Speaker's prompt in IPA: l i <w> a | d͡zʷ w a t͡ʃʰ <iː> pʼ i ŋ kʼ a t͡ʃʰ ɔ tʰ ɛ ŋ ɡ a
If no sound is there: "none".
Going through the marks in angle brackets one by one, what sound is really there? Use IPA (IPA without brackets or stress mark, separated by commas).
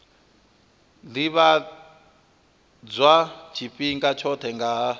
β, i